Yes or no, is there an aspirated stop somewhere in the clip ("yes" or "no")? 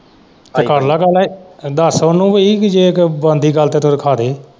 yes